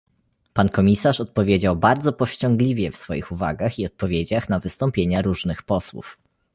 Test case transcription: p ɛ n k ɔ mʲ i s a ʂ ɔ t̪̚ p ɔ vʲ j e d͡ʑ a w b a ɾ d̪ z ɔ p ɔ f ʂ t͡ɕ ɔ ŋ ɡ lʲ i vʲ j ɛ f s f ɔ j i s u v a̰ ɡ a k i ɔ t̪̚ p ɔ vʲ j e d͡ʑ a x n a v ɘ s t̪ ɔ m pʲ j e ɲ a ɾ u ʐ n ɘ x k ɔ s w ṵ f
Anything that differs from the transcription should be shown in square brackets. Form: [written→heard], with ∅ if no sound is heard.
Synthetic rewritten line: p [ɛ→a] n k ɔ mʲ i s a ʂ ɔ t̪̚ p ɔ vʲ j e d͡ʑ a w b a ɾ d̪ z ɔ p ɔ f [ʂ→ɕ] t͡ɕ ɔ ŋ ɡ lʲ i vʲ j ɛ f s f ɔ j i [s→x] u v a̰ ɡ a [k→x] i ɔ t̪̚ p ɔ vʲ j e d͡ʑ a x n a v ɘ s t̪ ɔ m pʲ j e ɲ a ɾ u ʐ n ɘ x [k→p] ɔ s w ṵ f